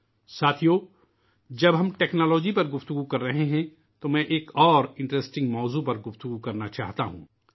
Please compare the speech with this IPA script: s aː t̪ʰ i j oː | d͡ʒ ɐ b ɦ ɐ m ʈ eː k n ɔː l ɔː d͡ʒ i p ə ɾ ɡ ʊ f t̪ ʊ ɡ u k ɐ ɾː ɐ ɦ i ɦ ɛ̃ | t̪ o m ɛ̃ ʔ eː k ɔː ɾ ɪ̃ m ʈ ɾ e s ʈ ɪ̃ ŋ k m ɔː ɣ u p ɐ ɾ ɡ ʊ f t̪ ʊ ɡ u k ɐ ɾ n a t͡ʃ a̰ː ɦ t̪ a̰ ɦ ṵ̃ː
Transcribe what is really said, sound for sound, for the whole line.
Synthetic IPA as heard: s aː t̪ʰ i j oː | d͡ʒ ɐ b ɦ ɐ m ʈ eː k n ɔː l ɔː d͡ʒ i p ɐ ɾ ɡ ʊ f t̪ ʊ ɡ u k ɐ ɾː ɐ ɦ e ɦ ɛ̃ | t̪ o m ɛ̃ ʔ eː k ɔː ɾ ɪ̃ ɳ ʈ ɾ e s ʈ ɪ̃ ŋ ɡ m ɔː z u p ɐ ɾ ɡ ʊ f t̪ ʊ ɡ u k ɐ ɾ n a t͡ʃ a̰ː ɦ t̪ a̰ ɦ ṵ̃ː